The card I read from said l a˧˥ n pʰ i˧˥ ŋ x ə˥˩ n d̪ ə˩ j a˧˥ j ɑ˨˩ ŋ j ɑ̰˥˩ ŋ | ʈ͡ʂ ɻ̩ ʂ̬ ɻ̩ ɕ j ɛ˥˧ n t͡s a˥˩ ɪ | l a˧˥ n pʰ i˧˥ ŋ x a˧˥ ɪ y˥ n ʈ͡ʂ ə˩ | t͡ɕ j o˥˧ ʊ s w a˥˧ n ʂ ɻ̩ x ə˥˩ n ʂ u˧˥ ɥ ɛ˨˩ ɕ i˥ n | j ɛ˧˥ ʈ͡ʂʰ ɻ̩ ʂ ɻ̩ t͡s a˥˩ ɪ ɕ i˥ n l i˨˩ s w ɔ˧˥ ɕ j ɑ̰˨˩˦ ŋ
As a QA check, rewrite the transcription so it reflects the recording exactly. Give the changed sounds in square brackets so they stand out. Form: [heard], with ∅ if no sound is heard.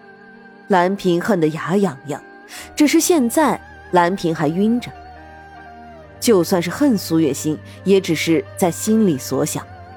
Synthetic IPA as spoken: l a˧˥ n pʰ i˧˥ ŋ x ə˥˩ n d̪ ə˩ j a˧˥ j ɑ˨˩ ŋ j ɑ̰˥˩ ŋ | ʈ͡ʂ ɻ̩ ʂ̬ ɻ̩ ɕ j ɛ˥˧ n t͡s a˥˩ ɪ | l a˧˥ n pʰ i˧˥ ŋ x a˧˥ ɪ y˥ n ʈ͡ʂ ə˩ | t͡ɕ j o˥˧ ʊ s w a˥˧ n ʂ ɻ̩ x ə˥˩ n [s] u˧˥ ɥ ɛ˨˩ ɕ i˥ n | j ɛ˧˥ [ʈ͡ʂ] ɻ̩ ʂ ɻ̩ t͡s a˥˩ ɪ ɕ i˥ n l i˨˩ s w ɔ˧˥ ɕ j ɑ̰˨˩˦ ŋ